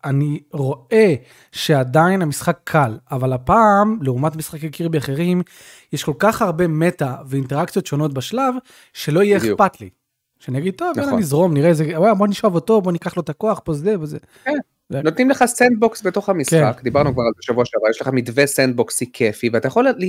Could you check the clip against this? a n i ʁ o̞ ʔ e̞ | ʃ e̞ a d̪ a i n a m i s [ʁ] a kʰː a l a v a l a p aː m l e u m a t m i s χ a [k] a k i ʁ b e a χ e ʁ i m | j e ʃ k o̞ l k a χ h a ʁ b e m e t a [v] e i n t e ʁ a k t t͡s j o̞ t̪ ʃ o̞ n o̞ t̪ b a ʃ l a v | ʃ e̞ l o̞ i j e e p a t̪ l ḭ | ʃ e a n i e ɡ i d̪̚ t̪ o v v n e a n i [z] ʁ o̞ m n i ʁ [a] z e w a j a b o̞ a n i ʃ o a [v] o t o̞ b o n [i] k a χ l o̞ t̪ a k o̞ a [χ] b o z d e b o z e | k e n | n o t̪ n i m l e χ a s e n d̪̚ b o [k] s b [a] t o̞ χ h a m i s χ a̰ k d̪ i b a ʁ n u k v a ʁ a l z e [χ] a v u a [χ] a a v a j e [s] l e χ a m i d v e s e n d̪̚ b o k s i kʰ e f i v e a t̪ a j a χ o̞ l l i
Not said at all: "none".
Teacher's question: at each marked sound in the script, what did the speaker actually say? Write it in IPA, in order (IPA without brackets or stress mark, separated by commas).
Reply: χ, k, v, z, e, v, i, χ, k, e, ʃ, ʃ, ʃ